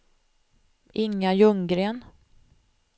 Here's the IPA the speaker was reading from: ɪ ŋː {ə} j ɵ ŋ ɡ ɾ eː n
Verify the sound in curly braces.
incorrect: a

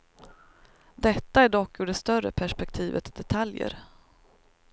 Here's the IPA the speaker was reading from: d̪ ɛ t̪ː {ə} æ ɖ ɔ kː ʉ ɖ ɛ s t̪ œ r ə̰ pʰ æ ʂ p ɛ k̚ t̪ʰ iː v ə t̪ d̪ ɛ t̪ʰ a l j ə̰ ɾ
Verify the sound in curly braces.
incorrect: a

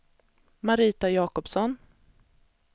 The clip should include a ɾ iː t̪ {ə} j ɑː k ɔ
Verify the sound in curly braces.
incorrect: a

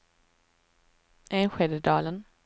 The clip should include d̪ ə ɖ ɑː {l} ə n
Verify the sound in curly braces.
correct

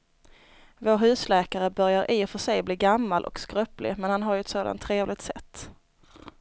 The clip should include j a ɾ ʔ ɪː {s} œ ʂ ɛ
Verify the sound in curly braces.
incorrect: f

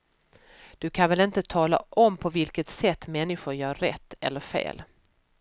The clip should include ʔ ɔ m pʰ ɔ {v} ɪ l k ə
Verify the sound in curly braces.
correct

